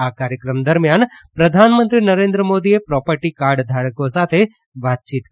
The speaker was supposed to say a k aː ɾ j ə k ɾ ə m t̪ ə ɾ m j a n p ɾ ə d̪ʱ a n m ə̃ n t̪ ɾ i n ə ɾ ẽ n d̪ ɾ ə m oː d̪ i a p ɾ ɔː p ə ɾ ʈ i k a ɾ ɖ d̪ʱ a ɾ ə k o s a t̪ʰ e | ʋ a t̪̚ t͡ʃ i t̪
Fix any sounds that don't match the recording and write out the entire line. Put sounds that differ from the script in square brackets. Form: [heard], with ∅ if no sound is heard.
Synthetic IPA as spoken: a k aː ɾ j ə k ɾ ə m [d̪] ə ɾ m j a n p ɾ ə d̪ʱ a n m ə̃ n t̪ ɾ i n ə ɾ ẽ n d̪ ɾ ə m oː d̪ i [e] p ɾ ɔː p ə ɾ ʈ i k a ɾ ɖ d̪ʱ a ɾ ə k o s a t̪ʰ e | ʋ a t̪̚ t͡ʃ i t̪